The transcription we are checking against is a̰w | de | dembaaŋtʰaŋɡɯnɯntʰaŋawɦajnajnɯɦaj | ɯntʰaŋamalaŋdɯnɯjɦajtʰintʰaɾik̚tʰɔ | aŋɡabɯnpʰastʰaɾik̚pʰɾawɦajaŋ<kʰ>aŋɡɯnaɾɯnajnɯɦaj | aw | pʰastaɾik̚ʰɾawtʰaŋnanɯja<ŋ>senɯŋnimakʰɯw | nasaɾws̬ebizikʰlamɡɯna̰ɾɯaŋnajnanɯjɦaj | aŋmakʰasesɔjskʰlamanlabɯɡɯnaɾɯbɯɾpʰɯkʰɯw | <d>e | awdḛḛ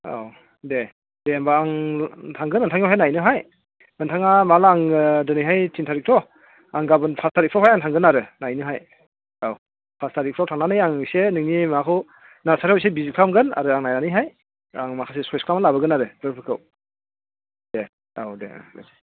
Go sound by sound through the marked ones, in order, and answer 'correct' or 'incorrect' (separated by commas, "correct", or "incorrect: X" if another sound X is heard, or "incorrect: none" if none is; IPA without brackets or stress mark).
incorrect: tʰ, correct, correct